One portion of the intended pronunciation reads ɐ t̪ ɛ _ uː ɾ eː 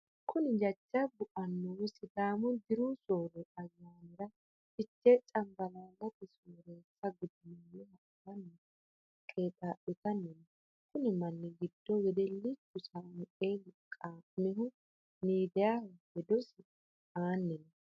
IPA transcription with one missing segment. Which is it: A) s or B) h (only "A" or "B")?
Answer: A